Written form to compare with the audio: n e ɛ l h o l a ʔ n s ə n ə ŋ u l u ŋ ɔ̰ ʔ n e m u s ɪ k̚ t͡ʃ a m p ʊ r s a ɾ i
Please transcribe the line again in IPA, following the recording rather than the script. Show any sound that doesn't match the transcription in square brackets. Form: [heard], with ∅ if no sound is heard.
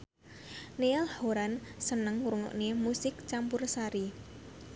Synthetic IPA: n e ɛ l h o [ɾ] a [∅] n s ə n ə ŋ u [ɾ] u ŋ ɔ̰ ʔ n e m u s ɪ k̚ t͡ʃ a m p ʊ r s a ɾ i